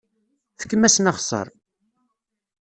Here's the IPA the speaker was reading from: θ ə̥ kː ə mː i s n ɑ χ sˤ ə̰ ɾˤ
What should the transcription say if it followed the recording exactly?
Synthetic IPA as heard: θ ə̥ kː ə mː æ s n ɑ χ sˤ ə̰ ɾˤ